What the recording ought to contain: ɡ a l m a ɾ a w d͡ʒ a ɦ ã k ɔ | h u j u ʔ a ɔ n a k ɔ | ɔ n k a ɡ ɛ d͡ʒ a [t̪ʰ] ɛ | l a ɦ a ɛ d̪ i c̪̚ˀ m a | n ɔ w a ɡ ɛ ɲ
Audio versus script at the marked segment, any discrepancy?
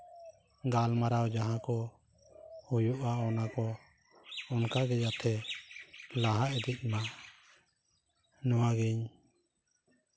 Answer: no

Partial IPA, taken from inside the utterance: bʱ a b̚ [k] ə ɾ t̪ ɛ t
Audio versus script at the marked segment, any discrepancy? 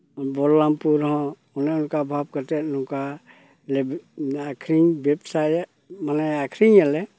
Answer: no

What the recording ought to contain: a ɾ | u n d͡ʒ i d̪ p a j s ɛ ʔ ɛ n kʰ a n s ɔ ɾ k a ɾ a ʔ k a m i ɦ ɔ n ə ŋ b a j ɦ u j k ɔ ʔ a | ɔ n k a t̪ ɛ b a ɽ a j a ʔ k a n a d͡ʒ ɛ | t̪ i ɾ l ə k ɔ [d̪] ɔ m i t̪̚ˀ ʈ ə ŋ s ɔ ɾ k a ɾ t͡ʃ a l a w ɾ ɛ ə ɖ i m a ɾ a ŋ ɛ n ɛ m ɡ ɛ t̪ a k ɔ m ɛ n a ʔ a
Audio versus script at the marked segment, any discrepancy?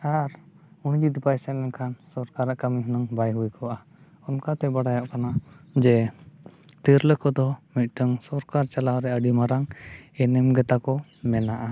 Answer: no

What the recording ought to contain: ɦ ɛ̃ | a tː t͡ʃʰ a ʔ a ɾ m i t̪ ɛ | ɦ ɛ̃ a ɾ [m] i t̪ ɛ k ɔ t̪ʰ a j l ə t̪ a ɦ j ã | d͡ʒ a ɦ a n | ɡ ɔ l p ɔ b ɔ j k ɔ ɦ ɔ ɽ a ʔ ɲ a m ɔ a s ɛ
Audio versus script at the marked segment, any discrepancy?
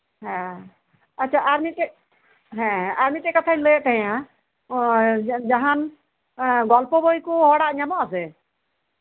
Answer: no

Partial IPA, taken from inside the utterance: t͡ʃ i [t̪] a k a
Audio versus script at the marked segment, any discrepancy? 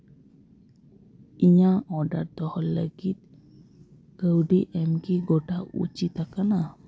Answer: no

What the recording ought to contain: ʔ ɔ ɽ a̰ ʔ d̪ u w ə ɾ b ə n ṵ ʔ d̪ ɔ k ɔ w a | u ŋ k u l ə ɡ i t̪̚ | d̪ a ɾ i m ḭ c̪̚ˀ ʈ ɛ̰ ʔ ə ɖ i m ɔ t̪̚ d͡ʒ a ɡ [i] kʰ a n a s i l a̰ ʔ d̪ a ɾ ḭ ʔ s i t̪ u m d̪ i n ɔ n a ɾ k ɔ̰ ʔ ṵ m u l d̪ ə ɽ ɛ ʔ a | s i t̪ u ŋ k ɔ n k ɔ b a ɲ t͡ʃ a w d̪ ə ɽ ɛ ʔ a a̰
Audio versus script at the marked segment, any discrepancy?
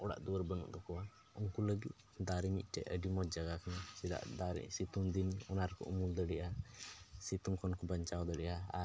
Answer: yes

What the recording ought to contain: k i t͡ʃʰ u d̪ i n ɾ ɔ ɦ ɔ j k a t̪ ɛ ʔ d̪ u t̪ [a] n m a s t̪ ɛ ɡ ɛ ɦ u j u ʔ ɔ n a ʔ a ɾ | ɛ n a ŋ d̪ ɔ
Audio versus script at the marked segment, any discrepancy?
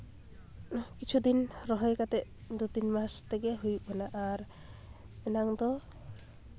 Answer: yes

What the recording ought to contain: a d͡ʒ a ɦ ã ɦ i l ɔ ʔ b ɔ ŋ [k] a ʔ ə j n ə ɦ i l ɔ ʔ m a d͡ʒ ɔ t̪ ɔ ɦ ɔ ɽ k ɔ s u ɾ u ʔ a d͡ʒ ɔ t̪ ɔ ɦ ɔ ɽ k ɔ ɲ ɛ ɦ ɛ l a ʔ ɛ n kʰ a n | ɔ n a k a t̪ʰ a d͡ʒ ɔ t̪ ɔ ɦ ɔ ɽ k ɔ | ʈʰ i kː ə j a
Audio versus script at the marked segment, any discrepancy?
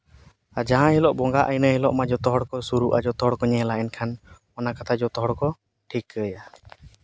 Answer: yes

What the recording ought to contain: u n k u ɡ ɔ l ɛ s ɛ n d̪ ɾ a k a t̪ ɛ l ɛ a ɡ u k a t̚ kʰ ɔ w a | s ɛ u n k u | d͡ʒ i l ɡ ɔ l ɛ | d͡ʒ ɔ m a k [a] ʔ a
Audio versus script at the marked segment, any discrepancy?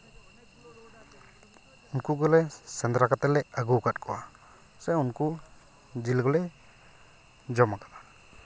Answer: no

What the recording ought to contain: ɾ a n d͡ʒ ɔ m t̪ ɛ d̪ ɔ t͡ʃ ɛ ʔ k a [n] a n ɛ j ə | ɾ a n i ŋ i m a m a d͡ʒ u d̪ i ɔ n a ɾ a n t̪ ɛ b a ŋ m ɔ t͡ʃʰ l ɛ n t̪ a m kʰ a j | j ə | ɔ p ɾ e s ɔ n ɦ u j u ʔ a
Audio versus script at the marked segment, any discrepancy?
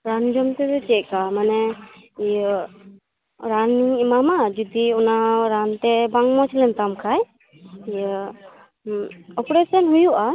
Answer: yes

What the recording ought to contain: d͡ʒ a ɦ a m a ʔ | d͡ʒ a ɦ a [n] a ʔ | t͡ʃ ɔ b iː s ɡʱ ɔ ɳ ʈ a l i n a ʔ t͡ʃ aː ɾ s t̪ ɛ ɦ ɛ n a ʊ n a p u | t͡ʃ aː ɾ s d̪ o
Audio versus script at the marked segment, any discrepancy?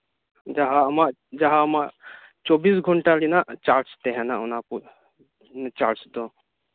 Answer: yes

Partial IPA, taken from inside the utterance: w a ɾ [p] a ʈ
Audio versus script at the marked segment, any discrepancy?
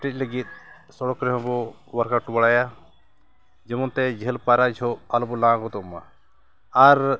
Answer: yes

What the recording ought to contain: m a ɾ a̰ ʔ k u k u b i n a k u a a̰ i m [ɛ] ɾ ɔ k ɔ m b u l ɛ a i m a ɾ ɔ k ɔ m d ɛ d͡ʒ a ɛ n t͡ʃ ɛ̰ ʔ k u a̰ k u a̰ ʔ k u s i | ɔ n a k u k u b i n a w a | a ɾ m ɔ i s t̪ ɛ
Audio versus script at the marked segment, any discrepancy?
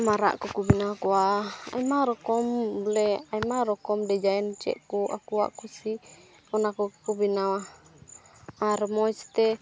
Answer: yes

